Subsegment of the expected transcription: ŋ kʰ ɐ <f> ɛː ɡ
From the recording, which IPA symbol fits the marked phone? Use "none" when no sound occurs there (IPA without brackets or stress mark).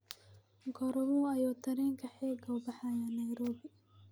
ħ